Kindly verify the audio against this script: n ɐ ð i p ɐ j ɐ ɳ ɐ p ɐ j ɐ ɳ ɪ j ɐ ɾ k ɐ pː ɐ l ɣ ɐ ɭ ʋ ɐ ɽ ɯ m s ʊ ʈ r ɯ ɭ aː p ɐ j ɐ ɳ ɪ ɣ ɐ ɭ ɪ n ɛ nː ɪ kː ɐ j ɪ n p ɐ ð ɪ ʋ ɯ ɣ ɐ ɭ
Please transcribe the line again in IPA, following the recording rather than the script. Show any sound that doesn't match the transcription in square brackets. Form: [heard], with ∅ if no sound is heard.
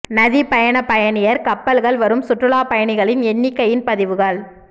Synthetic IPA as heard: n ɐ ð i p ɐ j ɐ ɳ ɐ p ɐ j ɐ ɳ ɪ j ɐ ɾ k ɐ pː ɐ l ɣ ɐ ɭ ʋ ɐ [ɾ] ɯ m s ʊ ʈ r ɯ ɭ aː p ɐ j ɐ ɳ ɪ ɣ ɐ ɭ ɪ n ɛ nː ɪ kː ɐ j ɪ n p ɐ ð ɪ ʋ ɯ ɣ ɐ ɭ